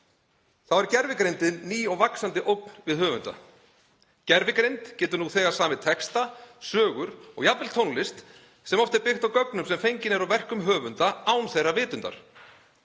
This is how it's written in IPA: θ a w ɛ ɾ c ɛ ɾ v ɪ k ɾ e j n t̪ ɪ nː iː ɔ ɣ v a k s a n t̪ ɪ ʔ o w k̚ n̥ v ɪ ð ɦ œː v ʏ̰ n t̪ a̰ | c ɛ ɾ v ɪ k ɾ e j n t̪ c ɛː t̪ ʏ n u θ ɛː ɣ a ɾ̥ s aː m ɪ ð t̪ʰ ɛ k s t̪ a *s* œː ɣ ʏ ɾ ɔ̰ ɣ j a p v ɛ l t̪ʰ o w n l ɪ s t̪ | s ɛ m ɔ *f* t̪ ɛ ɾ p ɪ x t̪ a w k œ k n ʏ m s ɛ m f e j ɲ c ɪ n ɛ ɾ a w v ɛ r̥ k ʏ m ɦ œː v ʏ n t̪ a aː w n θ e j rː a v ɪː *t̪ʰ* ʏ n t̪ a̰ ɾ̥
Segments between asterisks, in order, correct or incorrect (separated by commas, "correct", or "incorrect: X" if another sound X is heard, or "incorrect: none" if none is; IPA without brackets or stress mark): correct, correct, incorrect: t̪